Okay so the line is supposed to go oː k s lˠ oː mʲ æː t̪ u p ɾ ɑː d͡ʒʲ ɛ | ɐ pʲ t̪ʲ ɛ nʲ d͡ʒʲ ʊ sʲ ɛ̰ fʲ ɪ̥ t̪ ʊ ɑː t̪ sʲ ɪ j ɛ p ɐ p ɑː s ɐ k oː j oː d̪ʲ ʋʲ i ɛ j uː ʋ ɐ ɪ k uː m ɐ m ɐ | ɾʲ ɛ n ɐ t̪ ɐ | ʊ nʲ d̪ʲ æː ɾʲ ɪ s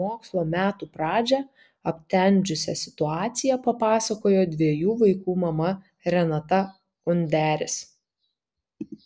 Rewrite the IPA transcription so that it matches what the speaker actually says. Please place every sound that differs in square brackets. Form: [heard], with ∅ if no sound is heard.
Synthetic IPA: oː k s lˠ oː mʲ æː t̪ u p ɾ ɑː d͡ʒʲ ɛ | ɐ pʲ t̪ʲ ɛ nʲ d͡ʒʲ ʊ sʲ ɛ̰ [sʲ] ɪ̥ t̪ ʊ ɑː t̪ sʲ ɪ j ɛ p ɐ p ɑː s ɐ k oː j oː d̪ʲ ʋʲ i ɛ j uː ʋ ɐ ɪ k uː m ɐ m ɐ | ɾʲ ɛ n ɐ t̪ ɐ | ʊ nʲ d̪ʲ æː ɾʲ ɪ s